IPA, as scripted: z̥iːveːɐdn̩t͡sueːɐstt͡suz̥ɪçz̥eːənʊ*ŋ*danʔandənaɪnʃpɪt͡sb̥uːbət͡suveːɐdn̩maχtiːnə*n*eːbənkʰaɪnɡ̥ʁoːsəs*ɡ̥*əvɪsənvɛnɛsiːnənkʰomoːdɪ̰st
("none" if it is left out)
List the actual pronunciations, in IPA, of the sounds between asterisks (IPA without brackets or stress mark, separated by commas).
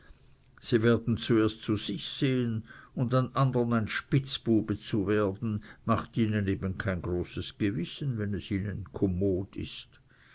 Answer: n, n, ɡ̥